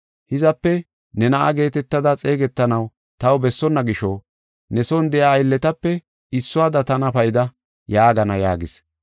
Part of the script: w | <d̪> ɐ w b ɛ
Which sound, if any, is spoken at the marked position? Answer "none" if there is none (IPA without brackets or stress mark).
t̪